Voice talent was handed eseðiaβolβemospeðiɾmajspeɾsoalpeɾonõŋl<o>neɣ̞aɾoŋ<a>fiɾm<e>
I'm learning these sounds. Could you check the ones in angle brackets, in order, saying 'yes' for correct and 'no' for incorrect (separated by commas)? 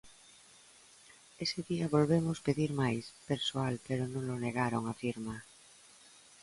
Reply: yes, yes, no